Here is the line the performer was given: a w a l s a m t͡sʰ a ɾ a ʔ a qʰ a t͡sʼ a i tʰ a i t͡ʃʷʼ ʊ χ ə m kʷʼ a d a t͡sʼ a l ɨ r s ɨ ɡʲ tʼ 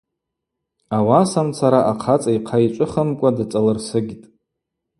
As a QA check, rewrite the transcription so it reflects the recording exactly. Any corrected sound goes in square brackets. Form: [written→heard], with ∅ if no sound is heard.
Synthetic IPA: a w a [l→∅] s a m t͡sʰ a ɾ a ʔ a qʰ a t͡sʼ a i [tʰ→qʰ] a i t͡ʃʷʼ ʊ χ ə m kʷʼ a d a t͡sʼ a l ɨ r s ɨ ɡʲ tʼ